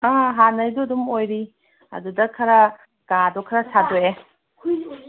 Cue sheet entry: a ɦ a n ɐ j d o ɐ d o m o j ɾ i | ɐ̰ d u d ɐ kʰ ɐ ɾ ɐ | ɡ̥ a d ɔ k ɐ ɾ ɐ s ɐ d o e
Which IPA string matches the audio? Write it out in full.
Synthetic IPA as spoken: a ɦ a n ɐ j d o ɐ d u m o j ɾ i | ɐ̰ d u d ɐ kʰ ɐ ɾ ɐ | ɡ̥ a d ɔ kʰ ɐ ɾ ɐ s a d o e